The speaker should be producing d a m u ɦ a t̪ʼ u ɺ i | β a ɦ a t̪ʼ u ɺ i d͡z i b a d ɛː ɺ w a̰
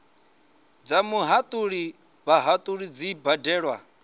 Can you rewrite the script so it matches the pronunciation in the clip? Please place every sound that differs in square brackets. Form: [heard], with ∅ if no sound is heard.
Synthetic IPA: [d͡z] a m u ɦ a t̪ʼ u ɺ i | β a ɦ a t̪ʼ u ɺ i d͡z i b a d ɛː ɺ w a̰